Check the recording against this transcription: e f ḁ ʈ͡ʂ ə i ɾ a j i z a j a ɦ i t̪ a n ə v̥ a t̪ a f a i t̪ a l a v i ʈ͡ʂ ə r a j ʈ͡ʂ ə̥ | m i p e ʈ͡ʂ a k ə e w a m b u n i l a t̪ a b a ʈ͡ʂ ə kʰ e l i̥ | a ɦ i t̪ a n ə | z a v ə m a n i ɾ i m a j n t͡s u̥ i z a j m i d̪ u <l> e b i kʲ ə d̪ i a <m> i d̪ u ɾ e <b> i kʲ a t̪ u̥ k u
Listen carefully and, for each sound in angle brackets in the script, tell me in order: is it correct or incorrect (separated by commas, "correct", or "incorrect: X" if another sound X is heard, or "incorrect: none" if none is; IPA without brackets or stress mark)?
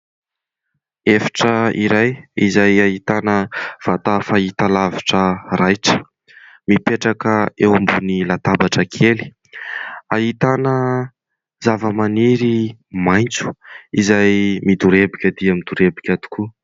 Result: incorrect: ɾ, correct, correct